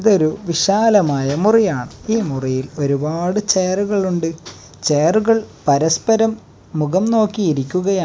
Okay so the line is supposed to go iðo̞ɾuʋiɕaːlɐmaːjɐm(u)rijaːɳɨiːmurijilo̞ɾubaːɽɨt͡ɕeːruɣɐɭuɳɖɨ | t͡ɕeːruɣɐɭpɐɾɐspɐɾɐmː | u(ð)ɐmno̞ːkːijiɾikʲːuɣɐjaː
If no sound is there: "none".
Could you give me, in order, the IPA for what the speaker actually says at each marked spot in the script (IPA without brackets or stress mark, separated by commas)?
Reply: u, ɣ